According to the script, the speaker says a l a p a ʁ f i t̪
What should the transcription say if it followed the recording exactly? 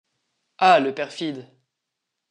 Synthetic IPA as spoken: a l ə p ɛ ʁ f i d̪